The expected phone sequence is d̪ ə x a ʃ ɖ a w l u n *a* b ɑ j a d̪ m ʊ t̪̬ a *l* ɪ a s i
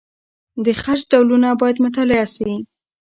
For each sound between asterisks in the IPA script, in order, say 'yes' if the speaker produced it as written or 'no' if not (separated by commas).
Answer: yes, yes